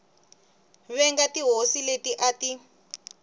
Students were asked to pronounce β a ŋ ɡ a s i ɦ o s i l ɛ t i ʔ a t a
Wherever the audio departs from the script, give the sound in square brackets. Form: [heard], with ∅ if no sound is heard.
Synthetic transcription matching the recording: β [ɛ] ŋ ɡ a [t] i ɦ o s i l [e] t i ʔ a t [i]